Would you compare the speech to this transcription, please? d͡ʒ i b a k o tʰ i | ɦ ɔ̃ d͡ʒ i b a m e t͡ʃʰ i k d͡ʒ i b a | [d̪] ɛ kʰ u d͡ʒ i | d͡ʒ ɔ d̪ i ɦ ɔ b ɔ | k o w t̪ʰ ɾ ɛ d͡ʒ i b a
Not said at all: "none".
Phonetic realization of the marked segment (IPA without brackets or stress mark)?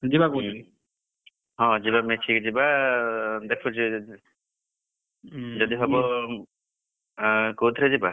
d̪